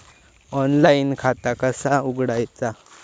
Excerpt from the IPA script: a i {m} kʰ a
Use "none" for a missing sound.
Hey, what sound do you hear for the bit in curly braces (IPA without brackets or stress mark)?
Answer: n